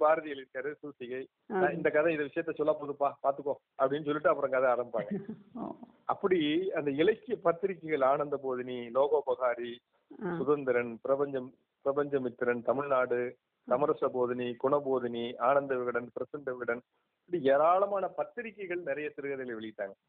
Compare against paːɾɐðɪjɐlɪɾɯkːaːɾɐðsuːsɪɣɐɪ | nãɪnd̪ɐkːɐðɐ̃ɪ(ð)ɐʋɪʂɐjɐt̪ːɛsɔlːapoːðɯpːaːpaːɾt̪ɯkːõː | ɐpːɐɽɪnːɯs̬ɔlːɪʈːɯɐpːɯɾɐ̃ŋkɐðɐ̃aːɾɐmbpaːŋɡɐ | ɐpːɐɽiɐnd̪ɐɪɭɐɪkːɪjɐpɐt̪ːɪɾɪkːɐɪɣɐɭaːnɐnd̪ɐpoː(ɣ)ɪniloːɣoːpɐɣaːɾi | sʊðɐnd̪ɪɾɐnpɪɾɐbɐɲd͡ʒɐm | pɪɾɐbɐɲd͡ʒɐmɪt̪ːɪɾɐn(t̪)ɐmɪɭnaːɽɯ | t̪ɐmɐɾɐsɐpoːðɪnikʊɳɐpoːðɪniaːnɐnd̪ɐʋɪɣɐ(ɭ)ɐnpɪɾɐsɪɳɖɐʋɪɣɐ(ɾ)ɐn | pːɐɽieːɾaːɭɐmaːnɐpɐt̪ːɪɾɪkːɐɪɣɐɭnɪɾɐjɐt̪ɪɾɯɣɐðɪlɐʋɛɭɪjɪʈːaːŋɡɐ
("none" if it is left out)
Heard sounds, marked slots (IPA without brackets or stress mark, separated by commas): ð, ð, t̪, ɽ, ɽ